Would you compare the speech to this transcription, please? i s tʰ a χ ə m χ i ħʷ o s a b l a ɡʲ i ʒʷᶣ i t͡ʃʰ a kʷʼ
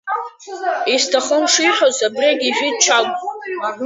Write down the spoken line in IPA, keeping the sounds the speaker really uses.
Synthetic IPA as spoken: i s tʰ a χ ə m ʂ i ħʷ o z a b r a ɡʲ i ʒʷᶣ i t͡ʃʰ a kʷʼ